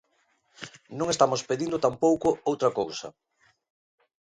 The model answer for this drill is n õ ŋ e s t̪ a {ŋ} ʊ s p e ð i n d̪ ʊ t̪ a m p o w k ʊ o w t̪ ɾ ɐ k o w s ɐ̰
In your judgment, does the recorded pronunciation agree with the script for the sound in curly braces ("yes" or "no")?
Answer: no